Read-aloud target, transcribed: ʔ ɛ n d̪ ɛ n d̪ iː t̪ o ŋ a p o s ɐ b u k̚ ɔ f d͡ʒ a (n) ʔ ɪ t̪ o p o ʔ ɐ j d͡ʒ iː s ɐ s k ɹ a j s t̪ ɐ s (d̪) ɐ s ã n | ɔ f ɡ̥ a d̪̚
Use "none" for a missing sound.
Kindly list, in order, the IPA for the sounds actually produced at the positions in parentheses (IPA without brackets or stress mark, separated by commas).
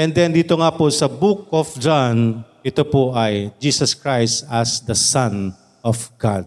n, d̪